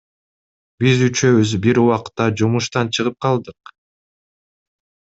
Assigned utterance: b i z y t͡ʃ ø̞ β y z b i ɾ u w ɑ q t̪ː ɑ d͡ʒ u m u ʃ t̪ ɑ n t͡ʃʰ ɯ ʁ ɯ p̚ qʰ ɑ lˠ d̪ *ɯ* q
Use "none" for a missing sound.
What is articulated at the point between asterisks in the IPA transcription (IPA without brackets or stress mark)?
ɯ